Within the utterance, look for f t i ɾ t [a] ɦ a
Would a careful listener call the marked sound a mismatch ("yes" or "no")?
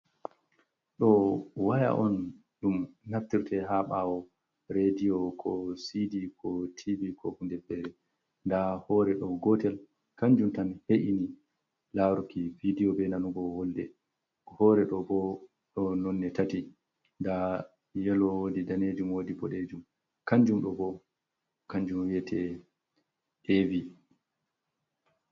yes